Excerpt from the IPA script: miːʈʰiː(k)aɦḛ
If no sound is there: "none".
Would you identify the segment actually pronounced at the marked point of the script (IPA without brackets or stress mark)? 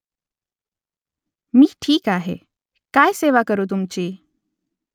k